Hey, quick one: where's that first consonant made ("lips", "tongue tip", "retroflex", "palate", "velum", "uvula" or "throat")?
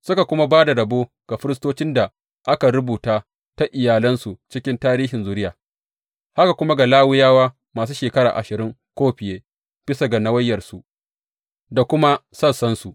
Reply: tongue tip